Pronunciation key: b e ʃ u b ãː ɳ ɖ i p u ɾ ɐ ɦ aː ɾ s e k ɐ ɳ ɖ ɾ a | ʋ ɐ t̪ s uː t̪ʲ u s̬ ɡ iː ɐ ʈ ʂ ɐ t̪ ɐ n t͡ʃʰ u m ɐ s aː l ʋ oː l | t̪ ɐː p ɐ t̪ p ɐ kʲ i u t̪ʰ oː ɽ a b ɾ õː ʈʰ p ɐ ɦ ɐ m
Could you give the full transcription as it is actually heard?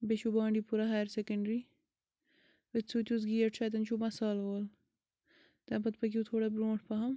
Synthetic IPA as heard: b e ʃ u b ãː ɳ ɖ i p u ɾ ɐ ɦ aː ɾ s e k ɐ ɳ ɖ ɾ i | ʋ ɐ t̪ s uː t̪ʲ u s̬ ɡ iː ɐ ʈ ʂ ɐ t̪ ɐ n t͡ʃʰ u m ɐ s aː l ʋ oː l | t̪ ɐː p ɐ t̪ p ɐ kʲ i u t̪ʰ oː ɽ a b ɾ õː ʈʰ p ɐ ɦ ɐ m

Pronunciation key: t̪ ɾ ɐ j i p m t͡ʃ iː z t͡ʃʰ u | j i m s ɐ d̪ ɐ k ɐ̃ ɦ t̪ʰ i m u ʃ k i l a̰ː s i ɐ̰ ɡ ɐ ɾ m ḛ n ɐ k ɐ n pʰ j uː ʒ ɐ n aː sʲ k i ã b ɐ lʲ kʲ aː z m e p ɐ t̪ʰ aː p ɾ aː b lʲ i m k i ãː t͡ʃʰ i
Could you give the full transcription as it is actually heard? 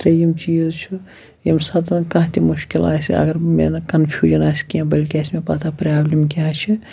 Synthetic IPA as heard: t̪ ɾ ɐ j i m t͡ʃ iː z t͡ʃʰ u | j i m s ɐ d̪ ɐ k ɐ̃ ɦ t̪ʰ i m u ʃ k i l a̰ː s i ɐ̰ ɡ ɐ ɾ m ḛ n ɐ k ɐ n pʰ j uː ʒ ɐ n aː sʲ k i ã b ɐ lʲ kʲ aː s m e p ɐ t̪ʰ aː p ɾ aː b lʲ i m k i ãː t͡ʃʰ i

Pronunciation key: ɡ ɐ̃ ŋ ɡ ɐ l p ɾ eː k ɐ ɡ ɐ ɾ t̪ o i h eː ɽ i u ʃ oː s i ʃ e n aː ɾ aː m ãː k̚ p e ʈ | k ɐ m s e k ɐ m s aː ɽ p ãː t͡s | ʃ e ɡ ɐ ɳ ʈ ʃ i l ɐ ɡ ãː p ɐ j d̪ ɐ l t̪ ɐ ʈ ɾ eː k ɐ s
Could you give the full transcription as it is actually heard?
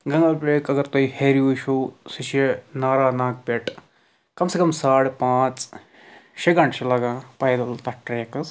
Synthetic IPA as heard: ɡ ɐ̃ ŋ ɡ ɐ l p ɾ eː k ɐ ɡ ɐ ɾ t̪ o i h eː ɾ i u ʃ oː s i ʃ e n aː ɾ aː n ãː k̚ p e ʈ | k ɐ m s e k ɐ m s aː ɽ p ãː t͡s | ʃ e ɡ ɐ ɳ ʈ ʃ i l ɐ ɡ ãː p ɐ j d̪ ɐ l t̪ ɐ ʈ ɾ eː k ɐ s

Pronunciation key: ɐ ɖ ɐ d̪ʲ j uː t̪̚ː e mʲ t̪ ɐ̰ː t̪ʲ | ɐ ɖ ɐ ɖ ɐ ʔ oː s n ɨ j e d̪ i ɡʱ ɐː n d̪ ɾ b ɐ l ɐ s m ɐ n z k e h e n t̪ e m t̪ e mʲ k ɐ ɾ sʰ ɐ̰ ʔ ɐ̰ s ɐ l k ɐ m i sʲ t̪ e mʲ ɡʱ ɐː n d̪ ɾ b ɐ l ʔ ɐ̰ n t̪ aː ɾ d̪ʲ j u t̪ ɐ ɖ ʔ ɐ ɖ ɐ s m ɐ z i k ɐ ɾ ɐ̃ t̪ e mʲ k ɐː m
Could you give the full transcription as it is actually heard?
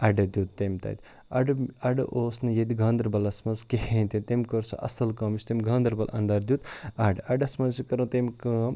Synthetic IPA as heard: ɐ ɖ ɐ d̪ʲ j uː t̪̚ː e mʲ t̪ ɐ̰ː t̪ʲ | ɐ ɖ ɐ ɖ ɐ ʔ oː s n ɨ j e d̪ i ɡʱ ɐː n d̪ ɾ b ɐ l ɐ s m ɐ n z k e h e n t̪ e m t̪ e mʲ k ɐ ɾ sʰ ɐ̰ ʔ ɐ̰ s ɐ l k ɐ m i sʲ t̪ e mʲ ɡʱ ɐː n d̪ ɾ b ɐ l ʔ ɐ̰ n d̪ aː ɾ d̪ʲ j u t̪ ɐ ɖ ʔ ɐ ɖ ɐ s m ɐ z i k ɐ ɾ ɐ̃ t̪ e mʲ k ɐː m

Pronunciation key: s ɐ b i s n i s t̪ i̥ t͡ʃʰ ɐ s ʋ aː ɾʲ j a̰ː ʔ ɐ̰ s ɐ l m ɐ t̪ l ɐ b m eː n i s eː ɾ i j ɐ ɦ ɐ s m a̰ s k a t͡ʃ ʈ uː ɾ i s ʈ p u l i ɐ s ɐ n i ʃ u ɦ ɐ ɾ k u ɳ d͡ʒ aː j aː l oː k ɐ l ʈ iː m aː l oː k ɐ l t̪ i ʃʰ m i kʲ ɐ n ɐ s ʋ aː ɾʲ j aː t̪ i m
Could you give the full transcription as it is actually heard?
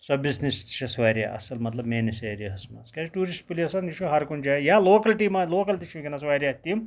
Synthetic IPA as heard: s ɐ b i s n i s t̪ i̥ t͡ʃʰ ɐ s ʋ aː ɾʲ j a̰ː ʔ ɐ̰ s ɐ l m ɐ t̪ l ɐ b m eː n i s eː ɾ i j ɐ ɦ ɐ s m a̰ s k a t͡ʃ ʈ uː ɾ i s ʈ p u l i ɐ s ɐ n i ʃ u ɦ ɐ ɾ k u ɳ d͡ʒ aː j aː l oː k ɐ l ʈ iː m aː l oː k ɐ l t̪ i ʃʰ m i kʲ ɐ n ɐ s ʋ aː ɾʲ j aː t̪ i m

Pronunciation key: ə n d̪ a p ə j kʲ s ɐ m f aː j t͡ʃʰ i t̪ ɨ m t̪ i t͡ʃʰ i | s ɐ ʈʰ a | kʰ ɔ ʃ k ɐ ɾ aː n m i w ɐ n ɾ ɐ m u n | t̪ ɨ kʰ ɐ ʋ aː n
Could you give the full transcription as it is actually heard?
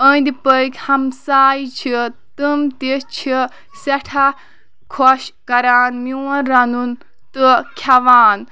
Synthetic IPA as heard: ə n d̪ i p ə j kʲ h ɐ m s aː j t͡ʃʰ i t̪ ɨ m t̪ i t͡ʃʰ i | s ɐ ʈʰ a | kʰ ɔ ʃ k ɐ ɾ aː n m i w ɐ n ɾ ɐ n u n | t̪ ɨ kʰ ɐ ʋ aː n

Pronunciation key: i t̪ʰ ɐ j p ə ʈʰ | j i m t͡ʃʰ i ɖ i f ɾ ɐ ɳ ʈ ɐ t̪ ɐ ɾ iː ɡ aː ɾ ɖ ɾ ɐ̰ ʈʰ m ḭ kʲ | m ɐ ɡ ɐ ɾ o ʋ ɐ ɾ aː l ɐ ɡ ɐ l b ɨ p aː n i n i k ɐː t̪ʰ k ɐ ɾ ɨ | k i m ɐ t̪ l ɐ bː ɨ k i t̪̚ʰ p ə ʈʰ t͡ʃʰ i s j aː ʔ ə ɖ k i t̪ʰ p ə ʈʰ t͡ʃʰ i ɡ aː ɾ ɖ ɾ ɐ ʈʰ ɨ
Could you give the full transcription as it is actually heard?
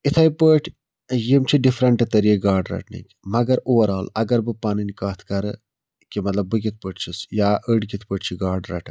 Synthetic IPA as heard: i t̪ʰ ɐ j p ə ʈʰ | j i m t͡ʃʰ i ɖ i f ɾ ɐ ɳ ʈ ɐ t̪ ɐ ɾ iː ɡ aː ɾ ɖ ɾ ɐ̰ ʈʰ n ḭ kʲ | m ɐ ɡ ɐ ɾ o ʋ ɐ ɾ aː l ɐ ɡ ɐ ɾ b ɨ p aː n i n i k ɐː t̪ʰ k ɐ ɾ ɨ | k i m ɐ t̪ l ɐ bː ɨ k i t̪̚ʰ p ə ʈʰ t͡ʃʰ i s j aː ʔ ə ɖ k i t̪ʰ p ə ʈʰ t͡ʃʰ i ɡ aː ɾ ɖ ɾ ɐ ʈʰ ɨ

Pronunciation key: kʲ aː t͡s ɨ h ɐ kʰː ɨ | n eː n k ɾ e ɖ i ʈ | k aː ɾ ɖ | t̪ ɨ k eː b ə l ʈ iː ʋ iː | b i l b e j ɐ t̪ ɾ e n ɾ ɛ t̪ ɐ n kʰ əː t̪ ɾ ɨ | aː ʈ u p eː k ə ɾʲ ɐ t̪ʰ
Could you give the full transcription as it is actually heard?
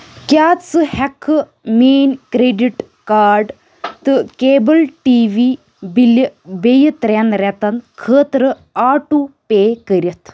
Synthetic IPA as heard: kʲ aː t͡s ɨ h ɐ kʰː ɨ | m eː n k ɾ e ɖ i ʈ | k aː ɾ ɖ | t̪ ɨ k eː b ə l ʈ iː ʋ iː | b i l b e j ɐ t̪ ɾ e n ɾ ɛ t̪ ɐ n kʰ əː t̪ ɾ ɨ | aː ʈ u p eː k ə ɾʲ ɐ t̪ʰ

